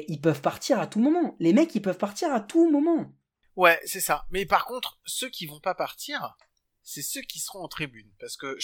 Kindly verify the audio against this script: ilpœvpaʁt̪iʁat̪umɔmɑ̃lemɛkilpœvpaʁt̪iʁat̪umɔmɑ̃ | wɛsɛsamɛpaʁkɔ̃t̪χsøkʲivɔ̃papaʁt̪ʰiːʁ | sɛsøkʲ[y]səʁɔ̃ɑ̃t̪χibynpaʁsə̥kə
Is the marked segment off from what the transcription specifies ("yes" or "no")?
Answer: yes